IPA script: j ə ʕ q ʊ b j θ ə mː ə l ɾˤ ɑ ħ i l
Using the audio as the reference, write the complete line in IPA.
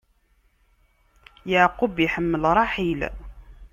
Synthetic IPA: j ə ʕ q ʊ b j ħ ə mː ə l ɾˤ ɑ ħ i l